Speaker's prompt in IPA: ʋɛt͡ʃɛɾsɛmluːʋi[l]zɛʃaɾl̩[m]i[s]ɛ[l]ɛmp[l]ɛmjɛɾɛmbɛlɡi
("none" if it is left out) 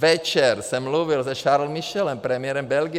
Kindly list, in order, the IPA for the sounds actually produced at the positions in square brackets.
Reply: l, m, ʃ, l, ɾ

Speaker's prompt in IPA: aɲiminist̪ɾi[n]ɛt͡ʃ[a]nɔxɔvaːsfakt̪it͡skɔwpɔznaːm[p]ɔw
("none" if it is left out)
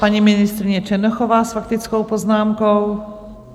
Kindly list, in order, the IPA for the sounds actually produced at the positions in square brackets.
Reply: ɲ, ɛ, k

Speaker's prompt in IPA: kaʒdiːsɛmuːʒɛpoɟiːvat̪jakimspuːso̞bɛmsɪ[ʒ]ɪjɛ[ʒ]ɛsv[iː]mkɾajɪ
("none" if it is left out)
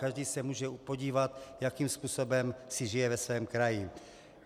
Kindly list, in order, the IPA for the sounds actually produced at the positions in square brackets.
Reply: ʒ, v, ɛː

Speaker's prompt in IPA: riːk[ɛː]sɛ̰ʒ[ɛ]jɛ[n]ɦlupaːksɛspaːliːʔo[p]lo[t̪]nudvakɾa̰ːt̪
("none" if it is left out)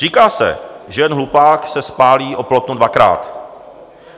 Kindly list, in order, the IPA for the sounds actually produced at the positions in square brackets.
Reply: aː, ɛ, n, p, t̪

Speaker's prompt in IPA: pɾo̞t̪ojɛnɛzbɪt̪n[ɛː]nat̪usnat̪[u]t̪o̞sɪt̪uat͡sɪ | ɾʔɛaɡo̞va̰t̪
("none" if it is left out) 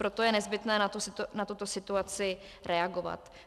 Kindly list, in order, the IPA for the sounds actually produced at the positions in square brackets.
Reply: ɛː, u

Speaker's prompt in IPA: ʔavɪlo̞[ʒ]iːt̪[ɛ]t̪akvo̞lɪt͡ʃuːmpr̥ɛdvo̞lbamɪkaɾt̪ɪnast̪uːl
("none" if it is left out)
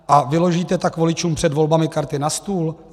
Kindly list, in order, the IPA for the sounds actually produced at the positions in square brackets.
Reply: ʒ, ɛ

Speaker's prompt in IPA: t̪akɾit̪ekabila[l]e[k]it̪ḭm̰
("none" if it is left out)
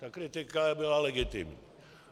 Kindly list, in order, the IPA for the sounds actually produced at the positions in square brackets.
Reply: l, ɡ

